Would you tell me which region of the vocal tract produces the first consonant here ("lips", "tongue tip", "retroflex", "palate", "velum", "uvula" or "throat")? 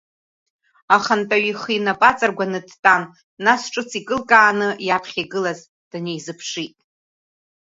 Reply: uvula